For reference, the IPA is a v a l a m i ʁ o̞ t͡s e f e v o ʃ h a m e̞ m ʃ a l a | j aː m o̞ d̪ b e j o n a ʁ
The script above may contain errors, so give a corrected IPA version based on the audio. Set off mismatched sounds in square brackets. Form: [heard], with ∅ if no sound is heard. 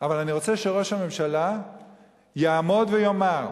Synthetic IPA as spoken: a v a l a [n] i ʁ o̞ t͡s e [ʃ] e [ʁ] o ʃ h a m e̞ m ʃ a l a | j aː m o̞ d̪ [v] e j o [m] a ʁ